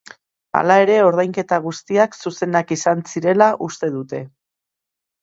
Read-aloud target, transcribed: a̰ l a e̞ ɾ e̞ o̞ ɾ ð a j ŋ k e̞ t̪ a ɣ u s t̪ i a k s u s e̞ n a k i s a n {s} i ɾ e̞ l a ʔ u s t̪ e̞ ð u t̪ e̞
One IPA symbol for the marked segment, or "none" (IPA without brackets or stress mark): s